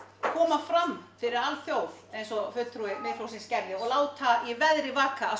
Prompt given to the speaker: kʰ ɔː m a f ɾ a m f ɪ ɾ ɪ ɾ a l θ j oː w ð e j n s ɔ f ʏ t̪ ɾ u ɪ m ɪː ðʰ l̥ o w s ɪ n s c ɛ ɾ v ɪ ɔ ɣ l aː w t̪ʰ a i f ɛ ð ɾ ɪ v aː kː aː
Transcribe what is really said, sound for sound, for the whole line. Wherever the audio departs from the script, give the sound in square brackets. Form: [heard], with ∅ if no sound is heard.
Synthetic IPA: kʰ ɔː m a f ɾ a m f ɪ ɾ ɪ ɾ a l θ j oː w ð e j n s ɔ f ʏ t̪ ɾ u ɪ m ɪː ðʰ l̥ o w s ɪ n s c ɛ ɾ [ð] ɪ ɔ ɣ l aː w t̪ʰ a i [v] ɛ ð ɾ ɪ v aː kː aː